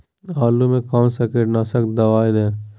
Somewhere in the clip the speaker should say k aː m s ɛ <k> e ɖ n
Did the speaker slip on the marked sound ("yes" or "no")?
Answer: no